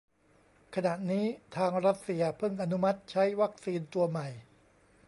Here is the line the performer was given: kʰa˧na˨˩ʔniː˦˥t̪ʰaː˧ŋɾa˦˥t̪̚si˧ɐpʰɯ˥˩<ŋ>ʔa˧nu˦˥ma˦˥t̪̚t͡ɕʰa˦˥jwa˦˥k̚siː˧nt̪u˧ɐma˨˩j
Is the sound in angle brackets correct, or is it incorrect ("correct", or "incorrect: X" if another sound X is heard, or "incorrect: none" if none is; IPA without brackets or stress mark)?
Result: correct